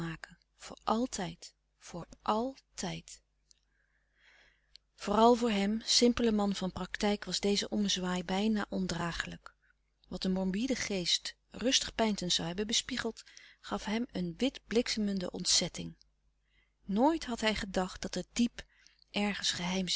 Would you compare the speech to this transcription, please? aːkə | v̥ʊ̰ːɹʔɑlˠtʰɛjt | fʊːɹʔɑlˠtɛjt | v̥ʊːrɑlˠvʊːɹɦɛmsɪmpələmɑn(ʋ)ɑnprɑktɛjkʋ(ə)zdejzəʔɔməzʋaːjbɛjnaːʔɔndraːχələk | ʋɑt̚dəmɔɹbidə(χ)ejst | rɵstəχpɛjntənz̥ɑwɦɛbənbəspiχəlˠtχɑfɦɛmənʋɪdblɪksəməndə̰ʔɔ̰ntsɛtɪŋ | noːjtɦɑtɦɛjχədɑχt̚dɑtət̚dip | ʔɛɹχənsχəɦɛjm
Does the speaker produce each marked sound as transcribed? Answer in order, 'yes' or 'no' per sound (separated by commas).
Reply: no, no, yes